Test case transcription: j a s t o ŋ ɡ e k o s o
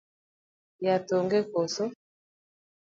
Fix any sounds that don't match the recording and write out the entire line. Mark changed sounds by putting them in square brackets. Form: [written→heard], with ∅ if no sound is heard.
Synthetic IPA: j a [s→∅] t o ŋ ɡ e k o s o